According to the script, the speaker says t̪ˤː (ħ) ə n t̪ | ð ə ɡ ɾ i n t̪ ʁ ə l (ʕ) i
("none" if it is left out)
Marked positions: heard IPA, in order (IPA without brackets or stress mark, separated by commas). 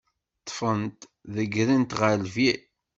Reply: f, v